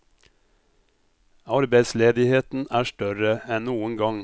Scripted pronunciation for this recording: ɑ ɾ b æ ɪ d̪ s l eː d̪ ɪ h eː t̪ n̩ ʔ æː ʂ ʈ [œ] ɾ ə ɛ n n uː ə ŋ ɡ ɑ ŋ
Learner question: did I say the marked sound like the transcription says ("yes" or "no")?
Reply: yes